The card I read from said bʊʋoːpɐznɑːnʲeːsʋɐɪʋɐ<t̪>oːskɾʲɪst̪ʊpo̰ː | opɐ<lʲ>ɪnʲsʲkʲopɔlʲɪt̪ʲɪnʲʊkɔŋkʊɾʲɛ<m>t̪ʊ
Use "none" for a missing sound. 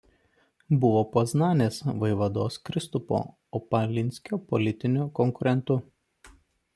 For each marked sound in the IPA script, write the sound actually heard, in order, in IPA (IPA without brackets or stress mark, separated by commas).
d̪, lʲ, n